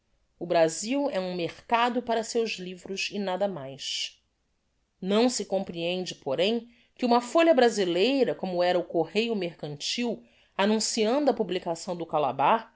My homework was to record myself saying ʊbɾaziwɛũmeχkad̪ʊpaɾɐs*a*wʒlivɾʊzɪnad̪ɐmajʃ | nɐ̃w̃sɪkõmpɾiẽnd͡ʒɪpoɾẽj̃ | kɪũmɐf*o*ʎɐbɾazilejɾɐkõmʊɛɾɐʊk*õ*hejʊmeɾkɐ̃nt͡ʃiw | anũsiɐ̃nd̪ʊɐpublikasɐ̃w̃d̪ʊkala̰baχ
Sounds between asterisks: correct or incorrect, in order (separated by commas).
incorrect, correct, incorrect